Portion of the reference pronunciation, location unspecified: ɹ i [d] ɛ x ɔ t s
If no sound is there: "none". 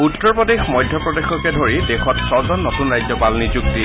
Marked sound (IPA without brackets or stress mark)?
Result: d